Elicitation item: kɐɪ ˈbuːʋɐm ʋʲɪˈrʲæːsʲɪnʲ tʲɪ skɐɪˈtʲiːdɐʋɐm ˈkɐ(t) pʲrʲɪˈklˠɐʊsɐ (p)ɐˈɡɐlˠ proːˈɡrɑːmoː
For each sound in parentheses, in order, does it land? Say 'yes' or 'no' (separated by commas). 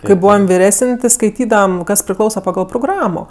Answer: no, yes